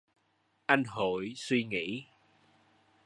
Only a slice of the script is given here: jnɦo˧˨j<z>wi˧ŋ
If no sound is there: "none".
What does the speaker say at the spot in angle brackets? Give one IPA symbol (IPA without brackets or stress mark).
s